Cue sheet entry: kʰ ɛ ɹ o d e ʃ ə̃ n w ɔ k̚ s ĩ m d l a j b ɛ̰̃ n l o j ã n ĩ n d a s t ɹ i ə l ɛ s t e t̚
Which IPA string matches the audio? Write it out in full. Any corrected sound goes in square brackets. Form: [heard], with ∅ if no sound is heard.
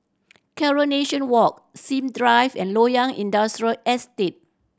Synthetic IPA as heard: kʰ ɛ ɹ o [n] e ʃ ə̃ n w ɔ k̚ s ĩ m d [ɹ] a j [v] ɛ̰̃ n l o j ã [ŋ] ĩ n d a s t ɹ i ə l ɛ s t e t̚